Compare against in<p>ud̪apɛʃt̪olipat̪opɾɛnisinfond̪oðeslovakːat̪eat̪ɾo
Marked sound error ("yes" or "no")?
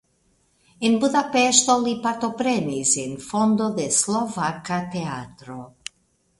yes